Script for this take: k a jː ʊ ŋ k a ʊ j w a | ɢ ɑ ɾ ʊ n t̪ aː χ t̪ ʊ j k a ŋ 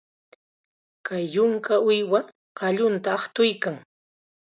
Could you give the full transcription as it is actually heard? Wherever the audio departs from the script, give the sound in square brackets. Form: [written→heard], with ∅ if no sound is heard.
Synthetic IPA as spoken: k a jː ʊ ŋ k a ʊ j w a | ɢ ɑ [ɾ→ʎ] ʊ n t̪ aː χ t̪ ʊ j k a ŋ